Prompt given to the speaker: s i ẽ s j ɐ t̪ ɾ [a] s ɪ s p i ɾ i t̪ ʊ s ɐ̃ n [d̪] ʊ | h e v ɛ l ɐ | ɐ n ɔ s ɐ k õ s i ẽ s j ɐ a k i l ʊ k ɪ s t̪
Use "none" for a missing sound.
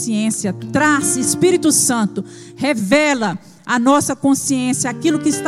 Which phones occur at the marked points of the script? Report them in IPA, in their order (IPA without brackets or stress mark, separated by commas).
a, t̪